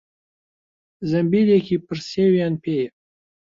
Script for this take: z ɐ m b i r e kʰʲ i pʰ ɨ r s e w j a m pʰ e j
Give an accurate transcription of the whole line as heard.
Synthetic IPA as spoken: z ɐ m b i l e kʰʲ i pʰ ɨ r s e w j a n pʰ e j